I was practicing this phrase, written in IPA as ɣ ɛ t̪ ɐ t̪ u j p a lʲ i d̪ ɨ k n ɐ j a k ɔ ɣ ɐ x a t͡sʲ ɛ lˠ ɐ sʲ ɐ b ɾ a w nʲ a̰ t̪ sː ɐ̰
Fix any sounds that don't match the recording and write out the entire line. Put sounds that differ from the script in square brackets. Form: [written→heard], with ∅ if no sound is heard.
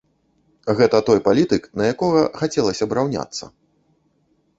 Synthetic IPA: ɣ ɛ t̪ ɐ t̪ [u→ɔ] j p a lʲ i [d̪→t̪] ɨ k n ɐ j a k ɔ ɣ ɐ x a t͡sʲ ɛ lˠ ɐ sʲ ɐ b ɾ a w nʲ a̰ t̪ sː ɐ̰